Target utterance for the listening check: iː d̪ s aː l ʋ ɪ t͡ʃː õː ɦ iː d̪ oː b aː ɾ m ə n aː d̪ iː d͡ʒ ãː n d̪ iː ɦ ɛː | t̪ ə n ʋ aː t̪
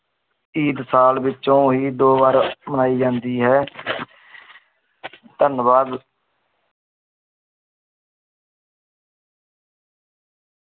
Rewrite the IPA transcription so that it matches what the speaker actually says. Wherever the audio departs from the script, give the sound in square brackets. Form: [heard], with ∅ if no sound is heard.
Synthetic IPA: iː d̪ s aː l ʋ ɪ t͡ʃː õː ɦ iː d̪ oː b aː ɾ m ə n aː [∅] iː d͡ʒ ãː n d̪ iː ɦ ɛː | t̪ ə n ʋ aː [d̪]